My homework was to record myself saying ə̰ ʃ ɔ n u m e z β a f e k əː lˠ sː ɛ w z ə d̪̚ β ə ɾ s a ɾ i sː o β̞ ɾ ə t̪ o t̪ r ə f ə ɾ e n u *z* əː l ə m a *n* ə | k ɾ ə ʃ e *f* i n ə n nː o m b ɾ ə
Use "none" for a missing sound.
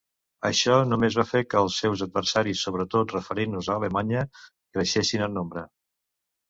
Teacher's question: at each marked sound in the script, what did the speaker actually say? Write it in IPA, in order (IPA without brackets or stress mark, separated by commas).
z, ɲ, s